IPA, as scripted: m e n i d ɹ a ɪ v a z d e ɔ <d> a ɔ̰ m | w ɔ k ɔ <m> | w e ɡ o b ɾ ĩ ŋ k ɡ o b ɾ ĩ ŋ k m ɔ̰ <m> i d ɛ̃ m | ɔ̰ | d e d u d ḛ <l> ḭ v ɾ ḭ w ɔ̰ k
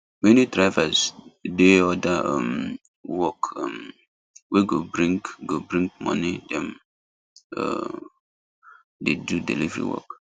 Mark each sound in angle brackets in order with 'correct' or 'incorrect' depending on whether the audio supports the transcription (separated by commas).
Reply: correct, correct, incorrect, correct